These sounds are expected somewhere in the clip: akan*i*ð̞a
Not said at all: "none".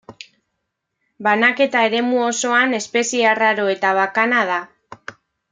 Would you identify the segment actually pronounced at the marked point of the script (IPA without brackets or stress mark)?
a